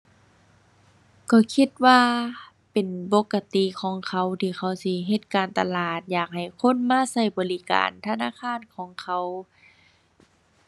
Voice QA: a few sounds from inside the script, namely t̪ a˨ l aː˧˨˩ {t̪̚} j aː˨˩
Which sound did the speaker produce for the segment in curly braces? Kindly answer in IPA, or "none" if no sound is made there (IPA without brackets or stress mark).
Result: t̪̚